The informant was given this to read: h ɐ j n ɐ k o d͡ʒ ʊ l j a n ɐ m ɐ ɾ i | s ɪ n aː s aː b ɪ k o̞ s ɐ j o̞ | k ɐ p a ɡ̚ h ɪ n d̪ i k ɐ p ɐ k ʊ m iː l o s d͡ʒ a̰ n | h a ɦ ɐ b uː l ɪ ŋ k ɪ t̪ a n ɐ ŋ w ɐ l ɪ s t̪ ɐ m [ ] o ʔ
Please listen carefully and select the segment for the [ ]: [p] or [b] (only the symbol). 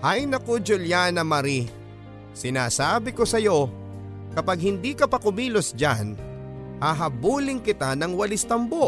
b